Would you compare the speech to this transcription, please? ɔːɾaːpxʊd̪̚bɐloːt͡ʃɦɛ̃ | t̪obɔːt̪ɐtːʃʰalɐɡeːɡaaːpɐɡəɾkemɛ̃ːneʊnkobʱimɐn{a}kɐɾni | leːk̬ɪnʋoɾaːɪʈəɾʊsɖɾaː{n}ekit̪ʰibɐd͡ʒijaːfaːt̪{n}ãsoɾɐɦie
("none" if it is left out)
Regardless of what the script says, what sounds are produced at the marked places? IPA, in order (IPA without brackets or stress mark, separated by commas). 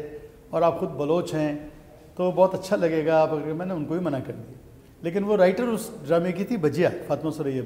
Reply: a, m, m